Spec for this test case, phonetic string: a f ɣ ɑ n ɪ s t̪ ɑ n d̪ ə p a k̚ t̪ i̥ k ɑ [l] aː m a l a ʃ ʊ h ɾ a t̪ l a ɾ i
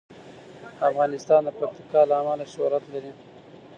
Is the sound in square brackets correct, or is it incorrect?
correct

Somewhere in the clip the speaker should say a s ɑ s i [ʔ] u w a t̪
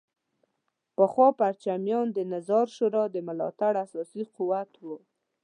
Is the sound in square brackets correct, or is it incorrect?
incorrect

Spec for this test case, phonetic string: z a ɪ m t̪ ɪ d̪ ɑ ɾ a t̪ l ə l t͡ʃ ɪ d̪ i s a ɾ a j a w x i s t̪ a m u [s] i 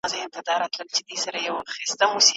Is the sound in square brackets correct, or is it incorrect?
correct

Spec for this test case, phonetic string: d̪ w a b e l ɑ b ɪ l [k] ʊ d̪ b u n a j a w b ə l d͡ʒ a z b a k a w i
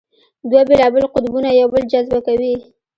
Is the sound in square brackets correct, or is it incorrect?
incorrect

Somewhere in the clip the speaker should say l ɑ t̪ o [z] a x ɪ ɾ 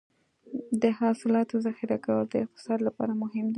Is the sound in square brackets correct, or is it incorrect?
correct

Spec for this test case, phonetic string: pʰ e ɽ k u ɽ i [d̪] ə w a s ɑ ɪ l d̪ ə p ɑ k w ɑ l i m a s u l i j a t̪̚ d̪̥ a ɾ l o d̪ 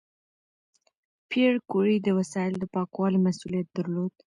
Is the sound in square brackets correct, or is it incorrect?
correct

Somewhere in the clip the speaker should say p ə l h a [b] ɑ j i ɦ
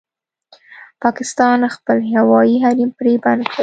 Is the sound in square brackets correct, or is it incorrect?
incorrect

